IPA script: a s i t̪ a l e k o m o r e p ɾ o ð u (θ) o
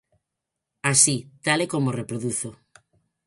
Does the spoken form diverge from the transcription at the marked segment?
no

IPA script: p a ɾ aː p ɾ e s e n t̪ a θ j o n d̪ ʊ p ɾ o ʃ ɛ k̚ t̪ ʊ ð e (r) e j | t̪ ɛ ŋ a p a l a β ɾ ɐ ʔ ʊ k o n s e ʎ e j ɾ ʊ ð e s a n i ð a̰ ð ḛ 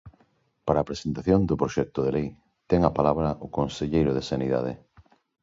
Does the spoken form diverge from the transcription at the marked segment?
yes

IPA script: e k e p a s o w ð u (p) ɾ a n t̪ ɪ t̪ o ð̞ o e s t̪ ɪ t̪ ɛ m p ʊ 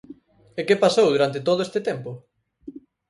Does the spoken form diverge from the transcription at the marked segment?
yes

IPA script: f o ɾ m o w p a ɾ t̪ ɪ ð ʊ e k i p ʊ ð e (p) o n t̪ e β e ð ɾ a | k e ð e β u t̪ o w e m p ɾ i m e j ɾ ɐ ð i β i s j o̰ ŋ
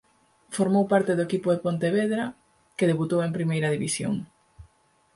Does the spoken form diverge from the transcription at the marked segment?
no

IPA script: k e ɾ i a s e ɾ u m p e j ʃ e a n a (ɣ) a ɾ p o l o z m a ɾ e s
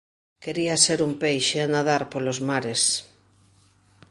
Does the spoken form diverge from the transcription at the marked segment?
yes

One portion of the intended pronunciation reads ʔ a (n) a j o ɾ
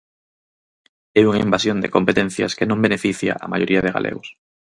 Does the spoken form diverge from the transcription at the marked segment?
yes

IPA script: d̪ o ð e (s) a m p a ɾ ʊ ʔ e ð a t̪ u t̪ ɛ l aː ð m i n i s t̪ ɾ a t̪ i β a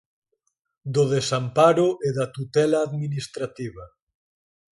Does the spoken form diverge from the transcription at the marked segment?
no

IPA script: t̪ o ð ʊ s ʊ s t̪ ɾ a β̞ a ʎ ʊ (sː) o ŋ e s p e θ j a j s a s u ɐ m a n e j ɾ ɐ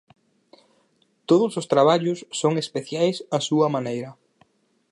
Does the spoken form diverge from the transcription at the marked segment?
no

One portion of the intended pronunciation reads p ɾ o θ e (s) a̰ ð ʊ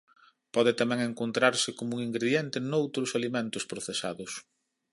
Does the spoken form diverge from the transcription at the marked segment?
no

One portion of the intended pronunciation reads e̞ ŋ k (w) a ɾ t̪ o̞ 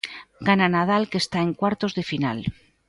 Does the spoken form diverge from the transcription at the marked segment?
no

